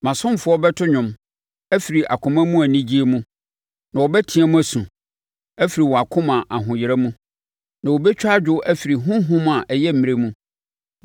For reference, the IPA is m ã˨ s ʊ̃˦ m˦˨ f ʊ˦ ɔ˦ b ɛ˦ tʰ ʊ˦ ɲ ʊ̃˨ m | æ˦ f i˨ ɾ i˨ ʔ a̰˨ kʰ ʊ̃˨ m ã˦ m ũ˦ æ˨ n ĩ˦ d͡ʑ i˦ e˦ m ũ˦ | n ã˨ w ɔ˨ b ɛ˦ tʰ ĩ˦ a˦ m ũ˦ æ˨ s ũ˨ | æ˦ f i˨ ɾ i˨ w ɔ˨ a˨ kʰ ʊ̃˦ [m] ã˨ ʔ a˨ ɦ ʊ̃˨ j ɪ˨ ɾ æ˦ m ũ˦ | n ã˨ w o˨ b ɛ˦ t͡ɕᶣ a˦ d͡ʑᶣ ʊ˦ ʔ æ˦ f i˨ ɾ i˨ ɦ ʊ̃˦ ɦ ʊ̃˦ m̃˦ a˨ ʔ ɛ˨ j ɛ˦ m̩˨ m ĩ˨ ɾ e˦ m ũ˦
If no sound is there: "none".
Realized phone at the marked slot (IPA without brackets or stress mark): m